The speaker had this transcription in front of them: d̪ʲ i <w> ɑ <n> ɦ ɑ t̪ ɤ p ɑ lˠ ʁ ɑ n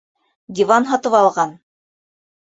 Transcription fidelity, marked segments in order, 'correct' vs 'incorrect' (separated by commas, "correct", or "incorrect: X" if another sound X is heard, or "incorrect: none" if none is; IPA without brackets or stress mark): incorrect: v, correct